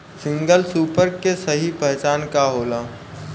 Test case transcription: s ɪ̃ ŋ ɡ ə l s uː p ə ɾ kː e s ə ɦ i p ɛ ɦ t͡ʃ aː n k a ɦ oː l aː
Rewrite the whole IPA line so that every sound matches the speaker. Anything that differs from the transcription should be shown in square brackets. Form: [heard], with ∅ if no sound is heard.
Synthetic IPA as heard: s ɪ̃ ŋ ɡ ə l s uː p ə ɾ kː e s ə ɦ i p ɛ ɦ t͡ʃ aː n k a ɦ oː l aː